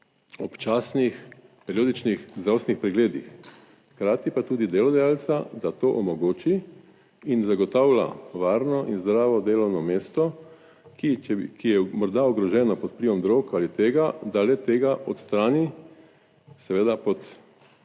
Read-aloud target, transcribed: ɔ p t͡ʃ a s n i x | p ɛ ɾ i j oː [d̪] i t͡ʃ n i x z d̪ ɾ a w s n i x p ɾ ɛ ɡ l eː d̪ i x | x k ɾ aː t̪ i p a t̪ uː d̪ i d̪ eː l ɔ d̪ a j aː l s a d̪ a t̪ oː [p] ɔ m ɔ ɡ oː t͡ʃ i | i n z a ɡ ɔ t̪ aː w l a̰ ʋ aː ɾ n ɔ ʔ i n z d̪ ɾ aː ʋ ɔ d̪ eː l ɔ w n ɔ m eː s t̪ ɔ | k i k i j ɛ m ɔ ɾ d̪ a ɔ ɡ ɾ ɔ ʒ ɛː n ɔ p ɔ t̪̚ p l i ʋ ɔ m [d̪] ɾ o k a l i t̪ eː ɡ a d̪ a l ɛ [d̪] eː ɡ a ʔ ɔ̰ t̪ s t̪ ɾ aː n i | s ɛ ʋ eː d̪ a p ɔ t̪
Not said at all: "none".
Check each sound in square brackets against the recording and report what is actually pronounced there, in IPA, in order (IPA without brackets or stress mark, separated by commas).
d̪, ʔ, d̪, t̪